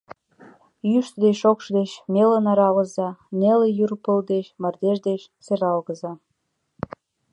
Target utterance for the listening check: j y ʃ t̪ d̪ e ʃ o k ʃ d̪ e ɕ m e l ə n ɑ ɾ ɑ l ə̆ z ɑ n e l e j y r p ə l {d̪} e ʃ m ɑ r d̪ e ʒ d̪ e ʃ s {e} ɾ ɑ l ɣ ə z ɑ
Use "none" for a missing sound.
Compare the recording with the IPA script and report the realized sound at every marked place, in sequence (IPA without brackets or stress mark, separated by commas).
d̪, e